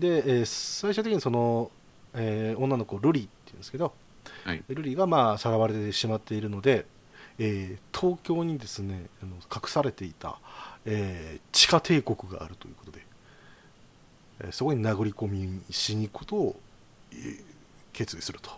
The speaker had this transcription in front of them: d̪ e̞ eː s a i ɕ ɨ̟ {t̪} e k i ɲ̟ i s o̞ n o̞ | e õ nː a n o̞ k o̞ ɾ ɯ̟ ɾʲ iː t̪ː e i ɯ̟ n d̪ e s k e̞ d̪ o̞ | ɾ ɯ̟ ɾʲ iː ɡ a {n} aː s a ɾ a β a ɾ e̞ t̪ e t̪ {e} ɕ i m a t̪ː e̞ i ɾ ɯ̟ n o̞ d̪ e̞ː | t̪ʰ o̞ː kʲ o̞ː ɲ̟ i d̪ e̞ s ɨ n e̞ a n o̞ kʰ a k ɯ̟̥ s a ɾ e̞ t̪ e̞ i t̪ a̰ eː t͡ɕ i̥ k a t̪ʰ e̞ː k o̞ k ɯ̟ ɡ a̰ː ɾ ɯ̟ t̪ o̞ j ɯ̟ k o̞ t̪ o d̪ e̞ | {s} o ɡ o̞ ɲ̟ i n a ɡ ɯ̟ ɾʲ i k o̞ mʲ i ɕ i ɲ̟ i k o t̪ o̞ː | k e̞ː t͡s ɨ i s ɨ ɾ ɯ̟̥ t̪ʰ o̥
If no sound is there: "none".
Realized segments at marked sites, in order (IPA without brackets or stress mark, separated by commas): t̪, m, e, s